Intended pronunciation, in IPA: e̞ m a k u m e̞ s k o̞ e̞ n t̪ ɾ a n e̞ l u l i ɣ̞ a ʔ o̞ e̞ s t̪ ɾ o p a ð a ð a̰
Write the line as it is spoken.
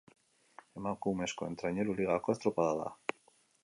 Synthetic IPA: e̞ m a k u m e̞ s k o̞ e̞ n t̪ ɾ a ɲ e̞ ɾ u l i ɣ̞ a k o̞ e̞ s t̪ ɾ o p a ð a ð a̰